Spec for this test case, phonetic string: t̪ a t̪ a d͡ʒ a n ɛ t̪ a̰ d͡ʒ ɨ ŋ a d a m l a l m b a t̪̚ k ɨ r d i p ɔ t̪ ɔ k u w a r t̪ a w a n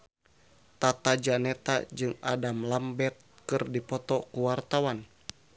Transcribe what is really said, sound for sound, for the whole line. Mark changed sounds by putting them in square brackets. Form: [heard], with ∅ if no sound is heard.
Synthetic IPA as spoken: t̪ a t̪ a d͡ʒ a n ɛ t̪ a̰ d͡ʒ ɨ ŋ a d a m l a [∅] m b [ɛ] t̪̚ k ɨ r d i p ɔ t̪ ɔ k u w a r t̪ a w a n